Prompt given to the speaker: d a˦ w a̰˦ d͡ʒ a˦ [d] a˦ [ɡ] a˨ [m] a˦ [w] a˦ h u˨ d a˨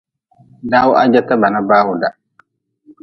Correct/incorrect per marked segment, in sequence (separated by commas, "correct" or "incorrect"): incorrect, incorrect, incorrect, incorrect